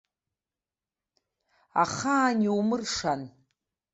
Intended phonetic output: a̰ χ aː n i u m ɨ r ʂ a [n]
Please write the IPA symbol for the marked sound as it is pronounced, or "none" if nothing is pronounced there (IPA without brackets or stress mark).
n